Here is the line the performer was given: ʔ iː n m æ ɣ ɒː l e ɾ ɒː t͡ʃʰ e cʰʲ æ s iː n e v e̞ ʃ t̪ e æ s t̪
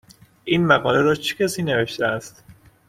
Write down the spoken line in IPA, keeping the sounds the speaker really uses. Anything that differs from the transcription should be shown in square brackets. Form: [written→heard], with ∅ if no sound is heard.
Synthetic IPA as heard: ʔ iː n m æ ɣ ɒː l e ɾ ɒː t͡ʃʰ e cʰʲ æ s iː n e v e̞ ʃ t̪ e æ s t̪